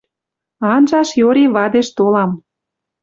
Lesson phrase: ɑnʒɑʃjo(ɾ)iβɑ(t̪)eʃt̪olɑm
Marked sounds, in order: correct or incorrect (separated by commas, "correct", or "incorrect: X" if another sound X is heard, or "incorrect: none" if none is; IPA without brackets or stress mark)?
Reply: correct, incorrect: d̪